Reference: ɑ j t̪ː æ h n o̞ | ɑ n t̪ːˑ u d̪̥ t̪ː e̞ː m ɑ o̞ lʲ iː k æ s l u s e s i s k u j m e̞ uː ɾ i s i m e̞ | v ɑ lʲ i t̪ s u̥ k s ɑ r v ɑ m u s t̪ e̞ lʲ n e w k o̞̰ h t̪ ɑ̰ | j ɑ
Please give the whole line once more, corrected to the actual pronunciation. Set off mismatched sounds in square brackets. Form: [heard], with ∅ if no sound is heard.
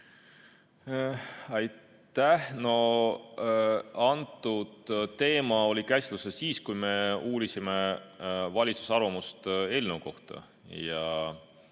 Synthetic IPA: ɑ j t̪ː æ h n o̞ | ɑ n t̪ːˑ u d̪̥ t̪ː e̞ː m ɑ o̞ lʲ [i] k æ s l u s e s [iː] s k u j m e̞ uː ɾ i s i m e̞ | v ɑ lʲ i t̪ s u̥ [∅] s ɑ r v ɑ m u s t̪ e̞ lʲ n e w k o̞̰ h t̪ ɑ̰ | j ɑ